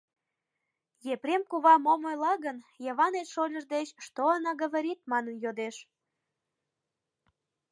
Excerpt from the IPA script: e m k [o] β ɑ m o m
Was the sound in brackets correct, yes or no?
no